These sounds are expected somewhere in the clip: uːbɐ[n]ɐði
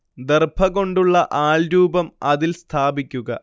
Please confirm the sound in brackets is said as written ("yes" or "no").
no